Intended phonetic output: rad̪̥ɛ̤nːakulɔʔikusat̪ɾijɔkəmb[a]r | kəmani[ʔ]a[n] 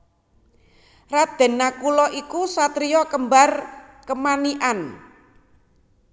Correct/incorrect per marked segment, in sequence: correct, correct, correct

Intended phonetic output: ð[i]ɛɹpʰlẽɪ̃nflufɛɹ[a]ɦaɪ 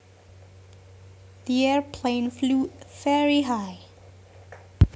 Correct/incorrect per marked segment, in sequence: correct, incorrect: i

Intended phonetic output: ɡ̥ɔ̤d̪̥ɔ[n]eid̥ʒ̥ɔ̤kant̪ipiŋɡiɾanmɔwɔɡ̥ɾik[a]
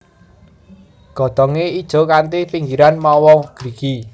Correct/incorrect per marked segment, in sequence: incorrect: ŋ, incorrect: i

